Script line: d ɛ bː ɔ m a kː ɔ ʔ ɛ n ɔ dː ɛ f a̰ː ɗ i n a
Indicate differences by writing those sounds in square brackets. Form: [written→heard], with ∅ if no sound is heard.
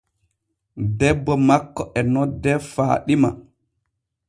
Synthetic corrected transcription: d ɛ bː ɔ m a kː ɔ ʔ ɛ n ɔ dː ɛ f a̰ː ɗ i [n→m] a

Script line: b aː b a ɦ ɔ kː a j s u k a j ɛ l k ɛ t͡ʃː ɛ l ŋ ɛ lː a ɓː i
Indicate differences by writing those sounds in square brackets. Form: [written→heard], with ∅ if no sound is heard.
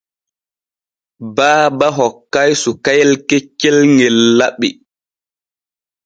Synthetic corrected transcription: b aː b a ɦ ɔ kː a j s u k a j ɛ l k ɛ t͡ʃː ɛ l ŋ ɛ lː a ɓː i

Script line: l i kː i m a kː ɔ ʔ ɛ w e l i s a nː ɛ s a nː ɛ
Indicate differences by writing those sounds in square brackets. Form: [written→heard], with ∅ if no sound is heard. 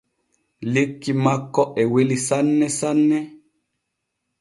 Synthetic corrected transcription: l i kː i m a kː ɔ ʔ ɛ w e l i s a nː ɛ s a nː ɛ

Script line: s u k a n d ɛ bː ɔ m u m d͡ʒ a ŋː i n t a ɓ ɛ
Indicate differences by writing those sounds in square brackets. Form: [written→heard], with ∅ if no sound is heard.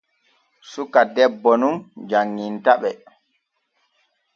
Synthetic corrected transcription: s u k a [n→∅] d ɛ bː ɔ [m→n] u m d͡ʒ a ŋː i n t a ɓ ɛ

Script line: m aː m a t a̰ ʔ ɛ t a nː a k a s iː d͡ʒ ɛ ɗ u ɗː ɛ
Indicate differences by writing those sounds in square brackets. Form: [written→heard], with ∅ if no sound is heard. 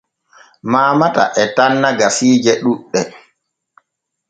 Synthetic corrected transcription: m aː m a t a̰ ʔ ɛ t a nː a [k→ɡ] a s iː d͡ʒ ɛ ɗ u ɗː ɛ

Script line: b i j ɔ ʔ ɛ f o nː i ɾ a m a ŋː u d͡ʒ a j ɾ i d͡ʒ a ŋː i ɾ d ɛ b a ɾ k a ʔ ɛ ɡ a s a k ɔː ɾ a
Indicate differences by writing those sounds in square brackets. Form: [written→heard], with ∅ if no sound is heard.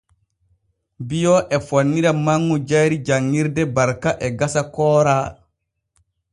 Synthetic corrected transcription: b i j ɔ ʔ ɛ f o nː i ɾ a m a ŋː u d͡ʒ a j ɾ i d͡ʒ a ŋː i ɾ d ɛ b a ɾ k a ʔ ɛ ɡ a s a k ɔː ɾ a

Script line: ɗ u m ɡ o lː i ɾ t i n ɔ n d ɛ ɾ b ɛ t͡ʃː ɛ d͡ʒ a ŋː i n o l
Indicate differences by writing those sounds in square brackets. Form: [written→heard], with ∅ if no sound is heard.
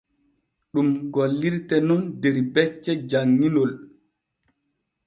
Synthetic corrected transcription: ɗ u m ɡ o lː i ɾ t [i→ɛ] n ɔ n d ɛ ɾ b ɛ t͡ʃː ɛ d͡ʒ a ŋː i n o l

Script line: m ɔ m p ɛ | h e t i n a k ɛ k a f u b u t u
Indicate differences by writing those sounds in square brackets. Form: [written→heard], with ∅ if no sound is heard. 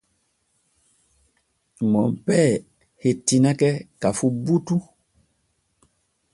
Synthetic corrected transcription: m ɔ m p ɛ | h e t i n a k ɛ k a f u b u t u

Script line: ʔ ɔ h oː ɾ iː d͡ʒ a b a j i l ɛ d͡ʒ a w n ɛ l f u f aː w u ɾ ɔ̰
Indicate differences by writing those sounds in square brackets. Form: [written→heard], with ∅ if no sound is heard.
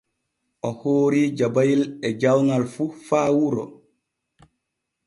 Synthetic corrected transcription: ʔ ɔ h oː ɾ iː d͡ʒ a b a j i l ɛ d͡ʒ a w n [ɛ→a] l f u f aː w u ɾ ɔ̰

